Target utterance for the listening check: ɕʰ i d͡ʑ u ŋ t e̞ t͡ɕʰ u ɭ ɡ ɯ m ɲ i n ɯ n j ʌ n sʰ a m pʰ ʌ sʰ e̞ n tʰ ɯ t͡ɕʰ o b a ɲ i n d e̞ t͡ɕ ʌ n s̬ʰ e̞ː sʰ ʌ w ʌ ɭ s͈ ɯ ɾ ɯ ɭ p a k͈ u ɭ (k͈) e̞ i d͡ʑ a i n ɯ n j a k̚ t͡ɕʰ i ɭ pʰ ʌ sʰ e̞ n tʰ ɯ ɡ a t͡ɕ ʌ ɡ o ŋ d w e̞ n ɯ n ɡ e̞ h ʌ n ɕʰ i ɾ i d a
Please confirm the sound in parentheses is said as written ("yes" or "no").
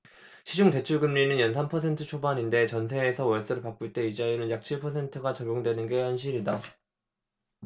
no